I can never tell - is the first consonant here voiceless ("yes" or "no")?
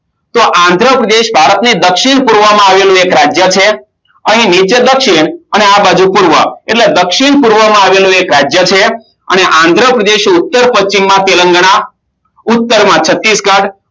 yes